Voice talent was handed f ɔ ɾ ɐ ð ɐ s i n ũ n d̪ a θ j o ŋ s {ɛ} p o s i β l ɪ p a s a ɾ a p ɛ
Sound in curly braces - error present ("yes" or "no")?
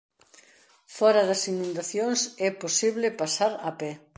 no